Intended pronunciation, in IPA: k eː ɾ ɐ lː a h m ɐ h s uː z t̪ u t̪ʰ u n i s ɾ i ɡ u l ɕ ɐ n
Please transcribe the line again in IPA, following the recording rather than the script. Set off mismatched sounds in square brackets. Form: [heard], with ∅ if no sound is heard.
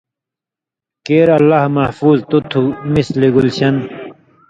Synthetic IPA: k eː ɾ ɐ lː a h m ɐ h [f] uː z t̪ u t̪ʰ u [m] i s [l] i ɡ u l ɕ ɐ n